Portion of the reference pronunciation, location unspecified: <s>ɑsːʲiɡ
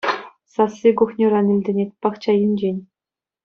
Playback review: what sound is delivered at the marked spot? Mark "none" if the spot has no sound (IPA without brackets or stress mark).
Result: s